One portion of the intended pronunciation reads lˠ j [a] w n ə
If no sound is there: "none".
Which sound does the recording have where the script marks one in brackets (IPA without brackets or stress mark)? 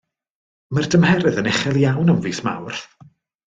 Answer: a